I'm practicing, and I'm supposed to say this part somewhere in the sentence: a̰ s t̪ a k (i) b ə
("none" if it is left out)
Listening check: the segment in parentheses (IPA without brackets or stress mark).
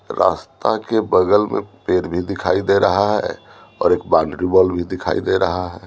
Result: e